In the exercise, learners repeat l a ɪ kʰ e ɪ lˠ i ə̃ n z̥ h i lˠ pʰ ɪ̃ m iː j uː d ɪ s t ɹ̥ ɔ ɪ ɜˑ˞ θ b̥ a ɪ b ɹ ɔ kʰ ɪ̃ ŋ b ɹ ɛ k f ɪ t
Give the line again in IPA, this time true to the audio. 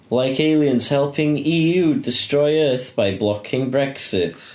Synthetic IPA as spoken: l a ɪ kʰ e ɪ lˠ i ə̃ n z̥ h ɛ lˠ pʰ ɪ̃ ŋ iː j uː d ɪ s t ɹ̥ ɔ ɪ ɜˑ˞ θ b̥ a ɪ b l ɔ kʰ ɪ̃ ŋ b ɹ ɛ k s ɪ t